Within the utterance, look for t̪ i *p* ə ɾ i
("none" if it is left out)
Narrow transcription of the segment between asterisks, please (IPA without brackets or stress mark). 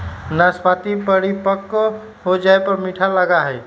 p